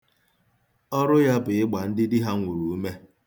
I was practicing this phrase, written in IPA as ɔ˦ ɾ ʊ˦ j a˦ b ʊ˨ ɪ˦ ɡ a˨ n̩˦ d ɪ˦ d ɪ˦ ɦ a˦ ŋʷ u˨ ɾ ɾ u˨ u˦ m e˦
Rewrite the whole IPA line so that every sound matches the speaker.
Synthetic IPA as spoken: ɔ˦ ɾ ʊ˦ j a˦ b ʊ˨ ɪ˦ ɡ͡b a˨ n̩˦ d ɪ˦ d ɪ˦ ɦ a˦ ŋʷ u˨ ɾ ɾ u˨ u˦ m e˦